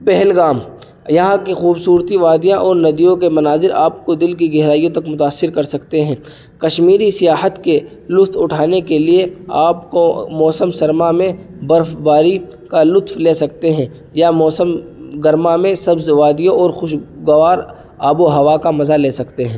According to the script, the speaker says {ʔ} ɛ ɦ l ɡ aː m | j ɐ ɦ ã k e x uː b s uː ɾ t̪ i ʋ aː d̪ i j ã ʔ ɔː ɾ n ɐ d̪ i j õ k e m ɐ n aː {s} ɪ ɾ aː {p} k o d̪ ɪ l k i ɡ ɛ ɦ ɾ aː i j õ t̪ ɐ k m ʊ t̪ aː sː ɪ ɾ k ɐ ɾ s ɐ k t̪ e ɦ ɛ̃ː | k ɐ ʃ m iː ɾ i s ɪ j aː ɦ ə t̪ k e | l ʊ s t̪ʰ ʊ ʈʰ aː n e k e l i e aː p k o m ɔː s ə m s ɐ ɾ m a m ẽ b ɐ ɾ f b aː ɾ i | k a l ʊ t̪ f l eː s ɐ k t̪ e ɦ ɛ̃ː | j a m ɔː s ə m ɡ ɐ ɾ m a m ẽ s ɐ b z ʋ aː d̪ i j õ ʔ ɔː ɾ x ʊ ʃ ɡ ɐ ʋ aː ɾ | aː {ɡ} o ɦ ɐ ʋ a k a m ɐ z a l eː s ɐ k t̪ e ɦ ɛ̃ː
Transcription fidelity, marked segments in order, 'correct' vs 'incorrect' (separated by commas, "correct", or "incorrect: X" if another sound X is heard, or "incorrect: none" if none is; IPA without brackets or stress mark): incorrect: p, incorrect: z, correct, incorrect: b